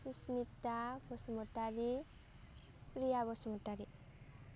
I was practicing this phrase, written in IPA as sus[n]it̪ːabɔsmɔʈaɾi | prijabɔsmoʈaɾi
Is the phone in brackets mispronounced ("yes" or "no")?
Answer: yes